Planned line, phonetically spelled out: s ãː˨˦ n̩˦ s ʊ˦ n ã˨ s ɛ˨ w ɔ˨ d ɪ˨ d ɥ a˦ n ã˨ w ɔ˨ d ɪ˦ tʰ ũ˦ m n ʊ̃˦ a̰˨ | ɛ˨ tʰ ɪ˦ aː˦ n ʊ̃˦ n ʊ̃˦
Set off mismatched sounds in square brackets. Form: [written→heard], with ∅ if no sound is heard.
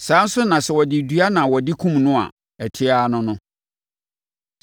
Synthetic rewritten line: s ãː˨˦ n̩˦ s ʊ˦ n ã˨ s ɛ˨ w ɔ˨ d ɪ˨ d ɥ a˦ n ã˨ w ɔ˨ d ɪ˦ [tʰ→kʰ] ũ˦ m n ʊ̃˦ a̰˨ | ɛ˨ tʰ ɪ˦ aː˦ n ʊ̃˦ n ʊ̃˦